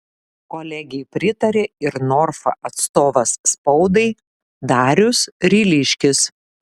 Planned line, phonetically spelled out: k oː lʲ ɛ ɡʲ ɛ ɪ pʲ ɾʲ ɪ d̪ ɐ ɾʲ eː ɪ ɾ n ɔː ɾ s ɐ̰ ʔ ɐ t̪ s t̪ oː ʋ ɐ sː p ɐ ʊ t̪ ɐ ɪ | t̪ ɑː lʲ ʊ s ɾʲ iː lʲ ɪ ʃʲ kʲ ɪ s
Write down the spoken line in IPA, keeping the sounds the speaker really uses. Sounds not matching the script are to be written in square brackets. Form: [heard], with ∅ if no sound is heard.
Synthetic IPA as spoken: k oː lʲ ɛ ɡʲ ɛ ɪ pʲ ɾʲ ɪ [t̪] ɐ ɾʲ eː ɪ ɾ n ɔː ɾ [f] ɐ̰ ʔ ɐ t̪ s t̪ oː ʋ ɐ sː p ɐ ʊ [d̪] ɐ ɪ | [d̪] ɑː [ɾʲ] ʊ s ɾʲ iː lʲ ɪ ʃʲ kʲ ɪ s

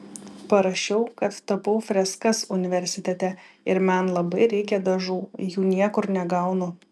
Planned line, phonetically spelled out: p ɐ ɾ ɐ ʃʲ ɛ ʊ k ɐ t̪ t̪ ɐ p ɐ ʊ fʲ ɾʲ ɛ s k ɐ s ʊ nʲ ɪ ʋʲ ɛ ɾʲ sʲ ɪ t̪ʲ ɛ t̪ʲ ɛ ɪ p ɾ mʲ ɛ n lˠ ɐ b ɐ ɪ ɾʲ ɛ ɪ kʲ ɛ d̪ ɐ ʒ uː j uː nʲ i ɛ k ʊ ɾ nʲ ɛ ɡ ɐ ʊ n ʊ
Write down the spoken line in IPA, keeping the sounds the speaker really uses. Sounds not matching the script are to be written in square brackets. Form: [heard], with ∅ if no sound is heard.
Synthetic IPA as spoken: p ɐ ɾ ɐ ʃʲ ɛ ʊ k ɐ t̪ t̪ ɐ p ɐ ʊ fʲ ɾʲ ɛ s k ɐ s ʊ nʲ ɪ ʋʲ ɛ ɾʲ sʲ ɪ t̪ʲ ɛ t̪ʲ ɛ ɪ [∅] ɾ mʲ ɛ n lˠ ɐ b ɐ ɪ ɾʲ ɛ ɪ kʲ ɛ d̪ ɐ ʒ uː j uː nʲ i ɛ k ʊ ɾ nʲ ɛ ɡ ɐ ʊ n ʊ

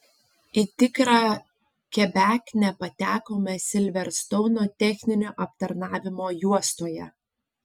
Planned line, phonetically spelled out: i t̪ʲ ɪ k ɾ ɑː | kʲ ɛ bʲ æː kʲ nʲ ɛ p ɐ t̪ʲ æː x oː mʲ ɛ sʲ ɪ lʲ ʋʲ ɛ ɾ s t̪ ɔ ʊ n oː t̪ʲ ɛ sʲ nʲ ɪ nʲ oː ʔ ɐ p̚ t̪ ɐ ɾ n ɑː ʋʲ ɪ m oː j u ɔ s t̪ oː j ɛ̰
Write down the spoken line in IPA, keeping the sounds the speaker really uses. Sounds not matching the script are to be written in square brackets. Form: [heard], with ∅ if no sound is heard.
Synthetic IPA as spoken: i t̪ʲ ɪ k ɾ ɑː | kʲ ɛ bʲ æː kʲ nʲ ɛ p ɐ t̪ʲ æː [k] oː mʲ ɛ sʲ ɪ lʲ ʋʲ ɛ ɾ s t̪ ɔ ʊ n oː t̪ʲ ɛ [xʲ] nʲ ɪ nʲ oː ʔ ɐ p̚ t̪ ɐ ɾ n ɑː ʋʲ ɪ m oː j u ɔ s t̪ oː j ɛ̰

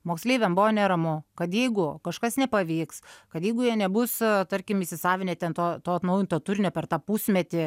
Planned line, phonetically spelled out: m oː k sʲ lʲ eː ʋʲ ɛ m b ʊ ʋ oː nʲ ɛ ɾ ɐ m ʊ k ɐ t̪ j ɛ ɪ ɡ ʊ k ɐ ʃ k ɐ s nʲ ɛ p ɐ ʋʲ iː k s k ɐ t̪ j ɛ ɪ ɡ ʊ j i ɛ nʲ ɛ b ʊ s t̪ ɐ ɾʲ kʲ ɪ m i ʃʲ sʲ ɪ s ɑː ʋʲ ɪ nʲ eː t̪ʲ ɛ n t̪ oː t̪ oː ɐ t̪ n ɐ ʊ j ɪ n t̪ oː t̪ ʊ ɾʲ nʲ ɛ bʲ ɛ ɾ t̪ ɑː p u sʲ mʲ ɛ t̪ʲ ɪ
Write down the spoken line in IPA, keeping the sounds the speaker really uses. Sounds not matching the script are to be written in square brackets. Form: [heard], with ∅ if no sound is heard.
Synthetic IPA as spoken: m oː k sʲ lʲ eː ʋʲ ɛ m b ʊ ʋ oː nʲ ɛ ɾ ɐ m ʊ k ɐ t̪ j ɛ ɪ ɡ ʊ k ɐ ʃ k ɐ s nʲ ɛ p ɐ ʋʲ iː k s k ɐ t̪ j ɛ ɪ ɡ ʊ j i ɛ nʲ ɛ b ʊ s t̪ ɐ ɾʲ kʲ ɪ m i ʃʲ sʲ ɪ s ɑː ʋʲ ɪ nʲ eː t̪ʲ ɛ n t̪ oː t̪ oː ɐ t̪ n ɐ ʊ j ɪ n t̪ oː t̪ ʊ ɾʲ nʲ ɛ [pʲ] ɛ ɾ t̪ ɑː p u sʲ mʲ ɛ t̪ʲ ɪ

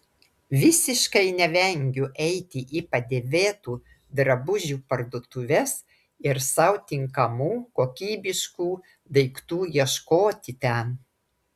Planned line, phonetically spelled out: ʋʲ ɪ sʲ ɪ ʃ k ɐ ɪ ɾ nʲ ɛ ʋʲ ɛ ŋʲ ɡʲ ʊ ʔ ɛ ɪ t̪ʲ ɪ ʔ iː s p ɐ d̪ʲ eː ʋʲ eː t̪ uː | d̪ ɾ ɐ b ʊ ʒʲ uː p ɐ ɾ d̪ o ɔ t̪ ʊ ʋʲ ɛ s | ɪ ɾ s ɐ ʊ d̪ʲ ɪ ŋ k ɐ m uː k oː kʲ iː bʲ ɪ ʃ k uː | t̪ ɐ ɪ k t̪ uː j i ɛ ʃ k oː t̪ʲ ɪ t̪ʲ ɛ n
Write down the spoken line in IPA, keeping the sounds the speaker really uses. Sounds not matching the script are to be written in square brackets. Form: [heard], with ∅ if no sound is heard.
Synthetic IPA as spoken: ʋʲ ɪ sʲ ɪ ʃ k ɐ ɪ [∅] nʲ ɛ ʋʲ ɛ ŋʲ ɡʲ ʊ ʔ ɛ ɪ t̪ʲ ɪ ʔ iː [∅] p ɐ d̪ʲ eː ʋʲ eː t̪ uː | d̪ ɾ ɐ b ʊ ʒʲ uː p ɐ ɾ d̪ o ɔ t̪ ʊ ʋʲ ɛ s | ɪ ɾ s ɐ ʊ [t̪ʲ] ɪ ŋ k ɐ m uː k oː kʲ iː bʲ ɪ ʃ k uː | [d̪] ɐ ɪ k t̪ uː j i ɛ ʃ k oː t̪ʲ ɪ t̪ʲ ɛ n

